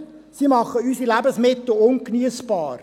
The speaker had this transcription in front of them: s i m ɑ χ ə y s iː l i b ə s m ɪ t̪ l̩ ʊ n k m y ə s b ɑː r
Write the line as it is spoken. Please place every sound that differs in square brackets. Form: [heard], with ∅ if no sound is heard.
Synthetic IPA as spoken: s i m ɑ χ ə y s [i] l [æ] b ə s m ɪ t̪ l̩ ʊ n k [n] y ə s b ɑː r